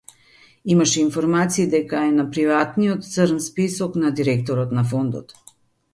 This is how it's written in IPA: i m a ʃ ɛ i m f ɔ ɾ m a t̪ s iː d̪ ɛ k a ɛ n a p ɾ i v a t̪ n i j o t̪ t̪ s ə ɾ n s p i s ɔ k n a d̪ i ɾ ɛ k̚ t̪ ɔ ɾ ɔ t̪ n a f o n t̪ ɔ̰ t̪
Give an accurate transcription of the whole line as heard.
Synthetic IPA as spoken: i m a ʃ ɛ i n f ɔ ɾ m a t̪ s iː d̪ ɛ k a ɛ n a p ɾ i v a t̪ n i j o t̪ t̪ s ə ɾ n s p i s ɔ k n a d̪ i ɾ ɛ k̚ t̪ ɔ ɾ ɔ t̪ n a f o n d̪ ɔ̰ t̪